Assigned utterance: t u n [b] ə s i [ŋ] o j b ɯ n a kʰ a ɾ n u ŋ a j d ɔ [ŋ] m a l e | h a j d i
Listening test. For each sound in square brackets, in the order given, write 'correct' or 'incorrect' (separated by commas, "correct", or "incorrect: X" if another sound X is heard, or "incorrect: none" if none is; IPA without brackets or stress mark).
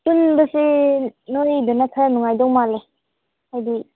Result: correct, incorrect: n, correct